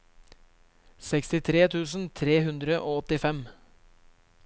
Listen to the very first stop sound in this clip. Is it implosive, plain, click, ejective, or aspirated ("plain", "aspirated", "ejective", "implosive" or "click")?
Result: plain